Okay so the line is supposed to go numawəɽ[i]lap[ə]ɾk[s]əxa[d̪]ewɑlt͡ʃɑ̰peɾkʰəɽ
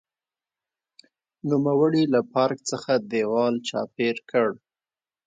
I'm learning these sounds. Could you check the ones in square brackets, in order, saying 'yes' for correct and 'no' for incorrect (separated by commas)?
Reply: yes, no, no, yes